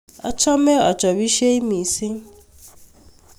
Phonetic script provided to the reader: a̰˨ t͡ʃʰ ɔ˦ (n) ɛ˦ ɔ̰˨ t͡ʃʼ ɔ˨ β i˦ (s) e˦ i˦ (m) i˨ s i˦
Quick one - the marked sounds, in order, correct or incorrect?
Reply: incorrect, incorrect, correct

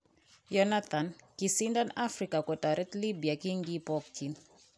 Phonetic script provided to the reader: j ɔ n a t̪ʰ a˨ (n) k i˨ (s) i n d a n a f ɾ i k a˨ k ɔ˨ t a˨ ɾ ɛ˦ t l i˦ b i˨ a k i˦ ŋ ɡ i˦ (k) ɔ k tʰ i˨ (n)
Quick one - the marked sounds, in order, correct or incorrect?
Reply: correct, correct, incorrect, correct

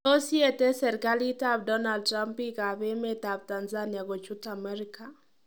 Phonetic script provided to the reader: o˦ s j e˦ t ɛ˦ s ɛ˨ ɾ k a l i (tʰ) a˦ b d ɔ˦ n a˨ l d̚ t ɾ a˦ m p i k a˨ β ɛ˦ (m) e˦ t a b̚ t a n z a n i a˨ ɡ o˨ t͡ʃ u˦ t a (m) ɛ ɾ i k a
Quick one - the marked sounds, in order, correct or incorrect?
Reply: incorrect, correct, correct

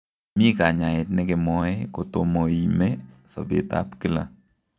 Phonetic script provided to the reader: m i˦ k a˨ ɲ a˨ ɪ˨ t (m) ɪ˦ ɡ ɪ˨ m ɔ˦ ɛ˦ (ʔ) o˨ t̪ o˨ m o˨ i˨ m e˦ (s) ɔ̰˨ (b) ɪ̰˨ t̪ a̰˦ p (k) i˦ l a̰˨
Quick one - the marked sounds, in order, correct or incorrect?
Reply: incorrect, incorrect, correct, correct, correct

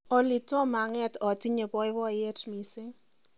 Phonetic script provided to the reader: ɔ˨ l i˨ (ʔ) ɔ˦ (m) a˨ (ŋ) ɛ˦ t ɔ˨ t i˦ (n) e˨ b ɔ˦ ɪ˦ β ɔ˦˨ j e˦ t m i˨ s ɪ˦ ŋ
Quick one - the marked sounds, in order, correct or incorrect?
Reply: incorrect, correct, correct, incorrect

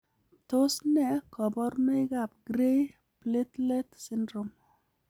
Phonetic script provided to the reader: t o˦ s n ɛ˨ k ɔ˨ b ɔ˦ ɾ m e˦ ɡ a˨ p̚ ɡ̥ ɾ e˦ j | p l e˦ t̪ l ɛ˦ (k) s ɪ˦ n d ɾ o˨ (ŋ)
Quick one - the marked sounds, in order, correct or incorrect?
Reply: incorrect, incorrect

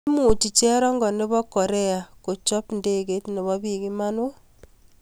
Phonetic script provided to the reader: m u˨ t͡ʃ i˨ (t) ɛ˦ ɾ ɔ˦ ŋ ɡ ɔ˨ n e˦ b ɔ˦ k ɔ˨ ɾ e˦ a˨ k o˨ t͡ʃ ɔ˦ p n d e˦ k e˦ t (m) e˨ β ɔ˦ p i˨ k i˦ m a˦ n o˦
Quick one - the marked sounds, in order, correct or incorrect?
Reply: incorrect, incorrect

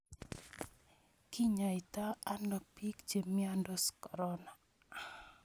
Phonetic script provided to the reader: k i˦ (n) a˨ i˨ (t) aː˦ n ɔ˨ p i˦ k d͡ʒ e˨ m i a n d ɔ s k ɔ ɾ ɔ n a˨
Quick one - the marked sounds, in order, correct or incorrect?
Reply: incorrect, correct

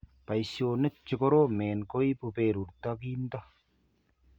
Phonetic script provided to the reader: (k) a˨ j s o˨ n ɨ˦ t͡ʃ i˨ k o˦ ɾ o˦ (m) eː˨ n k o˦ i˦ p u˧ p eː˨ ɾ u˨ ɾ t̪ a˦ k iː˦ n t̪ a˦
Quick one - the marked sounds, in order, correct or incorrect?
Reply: incorrect, correct

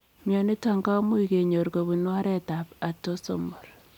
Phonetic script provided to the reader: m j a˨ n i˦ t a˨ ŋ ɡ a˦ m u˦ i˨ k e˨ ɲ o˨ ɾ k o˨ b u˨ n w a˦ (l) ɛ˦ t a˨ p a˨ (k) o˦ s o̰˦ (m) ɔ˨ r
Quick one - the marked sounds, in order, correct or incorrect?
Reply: incorrect, incorrect, correct

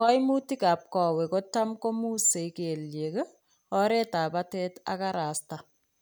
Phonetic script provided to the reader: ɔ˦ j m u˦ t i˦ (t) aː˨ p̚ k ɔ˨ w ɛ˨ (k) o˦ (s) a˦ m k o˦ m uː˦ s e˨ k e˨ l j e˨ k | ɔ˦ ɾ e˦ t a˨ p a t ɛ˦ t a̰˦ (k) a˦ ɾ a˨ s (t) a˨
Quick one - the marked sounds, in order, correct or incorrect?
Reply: incorrect, correct, incorrect, correct, correct

